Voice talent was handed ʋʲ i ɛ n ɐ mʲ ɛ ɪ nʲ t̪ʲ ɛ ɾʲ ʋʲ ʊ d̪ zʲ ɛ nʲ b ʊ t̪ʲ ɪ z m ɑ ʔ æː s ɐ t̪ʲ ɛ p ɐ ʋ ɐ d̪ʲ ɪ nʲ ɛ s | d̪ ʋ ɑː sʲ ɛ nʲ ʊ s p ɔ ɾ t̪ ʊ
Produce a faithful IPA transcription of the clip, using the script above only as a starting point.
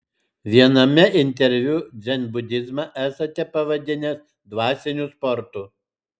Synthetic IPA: ʋʲ i ɛ n ɐ mʲ ɛ ɪ nʲ t̪ʲ ɛ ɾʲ ʋʲ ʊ d̪ zʲ ɛ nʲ b ʊ d̪ʲ ɪ z m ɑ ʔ æː s ɐ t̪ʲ ɛ p ɐ ʋ ɐ d̪ʲ ɪ nʲ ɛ s | d̪ ʋ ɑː sʲ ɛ nʲ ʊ s p ɔ ɾ t̪ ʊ